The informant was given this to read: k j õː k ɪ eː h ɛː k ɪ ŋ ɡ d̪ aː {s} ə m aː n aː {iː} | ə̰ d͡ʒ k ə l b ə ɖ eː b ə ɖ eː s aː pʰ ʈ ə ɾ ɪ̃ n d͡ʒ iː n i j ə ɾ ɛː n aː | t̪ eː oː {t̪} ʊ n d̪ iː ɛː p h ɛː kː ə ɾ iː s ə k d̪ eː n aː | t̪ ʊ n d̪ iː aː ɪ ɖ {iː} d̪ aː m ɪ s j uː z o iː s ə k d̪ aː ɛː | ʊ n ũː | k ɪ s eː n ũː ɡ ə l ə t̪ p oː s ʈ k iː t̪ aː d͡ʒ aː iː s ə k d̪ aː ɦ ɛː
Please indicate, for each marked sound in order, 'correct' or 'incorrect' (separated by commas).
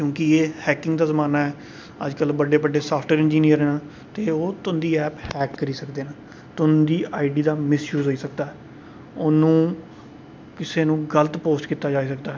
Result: incorrect, incorrect, correct, correct